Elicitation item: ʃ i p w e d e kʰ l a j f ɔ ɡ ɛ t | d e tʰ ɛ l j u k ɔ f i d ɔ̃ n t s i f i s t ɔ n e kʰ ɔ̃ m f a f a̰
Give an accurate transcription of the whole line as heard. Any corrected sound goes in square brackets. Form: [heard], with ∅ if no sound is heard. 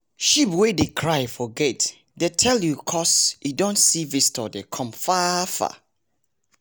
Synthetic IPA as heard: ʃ i p w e d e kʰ [ɹ] a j f ɔ ɡ ɛ t | d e tʰ ɛ l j u [kʰ] ɔ [s] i d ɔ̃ n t s i [v] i s t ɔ [d] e kʰ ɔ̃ m f a f a̰